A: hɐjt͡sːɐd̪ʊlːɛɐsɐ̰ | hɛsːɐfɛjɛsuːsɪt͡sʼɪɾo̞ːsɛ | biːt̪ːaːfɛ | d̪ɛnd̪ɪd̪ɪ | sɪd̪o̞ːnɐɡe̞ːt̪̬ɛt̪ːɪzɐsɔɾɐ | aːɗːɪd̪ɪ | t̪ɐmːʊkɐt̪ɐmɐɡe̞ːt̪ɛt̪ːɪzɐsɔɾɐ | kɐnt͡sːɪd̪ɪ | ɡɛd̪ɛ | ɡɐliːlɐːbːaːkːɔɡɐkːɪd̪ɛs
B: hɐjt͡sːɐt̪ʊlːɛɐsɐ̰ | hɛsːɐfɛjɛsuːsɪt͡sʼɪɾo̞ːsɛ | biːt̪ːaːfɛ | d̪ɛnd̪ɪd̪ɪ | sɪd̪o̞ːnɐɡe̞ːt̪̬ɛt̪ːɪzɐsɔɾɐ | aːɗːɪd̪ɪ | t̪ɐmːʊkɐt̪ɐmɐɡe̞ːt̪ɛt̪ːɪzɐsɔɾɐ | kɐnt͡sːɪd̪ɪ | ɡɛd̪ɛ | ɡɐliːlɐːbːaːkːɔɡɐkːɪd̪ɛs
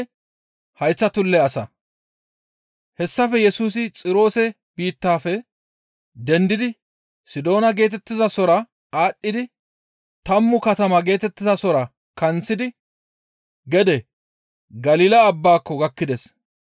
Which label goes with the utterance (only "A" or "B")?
B